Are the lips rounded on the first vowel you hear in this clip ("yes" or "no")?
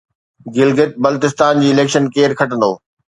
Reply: no